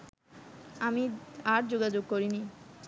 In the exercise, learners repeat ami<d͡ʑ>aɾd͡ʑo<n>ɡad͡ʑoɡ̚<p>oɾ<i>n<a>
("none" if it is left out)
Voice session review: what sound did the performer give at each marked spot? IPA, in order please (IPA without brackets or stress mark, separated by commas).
none, none, k, i, i